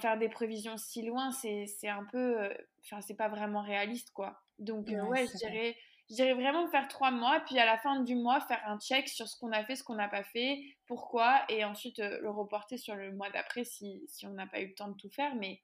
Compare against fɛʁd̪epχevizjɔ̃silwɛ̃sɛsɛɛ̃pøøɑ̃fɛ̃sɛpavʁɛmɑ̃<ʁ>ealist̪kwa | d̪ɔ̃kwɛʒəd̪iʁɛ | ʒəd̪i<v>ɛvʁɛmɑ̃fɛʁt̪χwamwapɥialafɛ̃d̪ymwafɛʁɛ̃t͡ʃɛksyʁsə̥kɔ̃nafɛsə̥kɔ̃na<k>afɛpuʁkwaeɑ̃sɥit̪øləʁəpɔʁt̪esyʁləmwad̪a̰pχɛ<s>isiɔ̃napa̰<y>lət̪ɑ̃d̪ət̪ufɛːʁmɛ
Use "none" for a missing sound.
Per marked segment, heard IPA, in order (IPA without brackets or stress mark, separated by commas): ʁ, ʁ, p, s, y